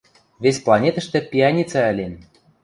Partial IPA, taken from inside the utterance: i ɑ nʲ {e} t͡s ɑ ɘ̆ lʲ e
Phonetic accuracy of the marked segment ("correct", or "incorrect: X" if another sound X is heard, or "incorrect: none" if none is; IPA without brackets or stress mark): incorrect: i